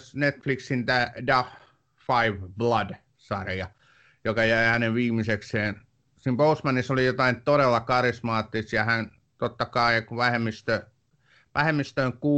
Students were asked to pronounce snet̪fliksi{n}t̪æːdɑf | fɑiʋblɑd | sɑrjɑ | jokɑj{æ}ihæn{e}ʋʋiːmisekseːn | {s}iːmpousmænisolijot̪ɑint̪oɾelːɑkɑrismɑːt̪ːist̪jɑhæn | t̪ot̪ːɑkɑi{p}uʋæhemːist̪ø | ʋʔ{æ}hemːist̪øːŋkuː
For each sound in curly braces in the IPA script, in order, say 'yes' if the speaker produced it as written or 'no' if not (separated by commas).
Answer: yes, yes, yes, yes, no, yes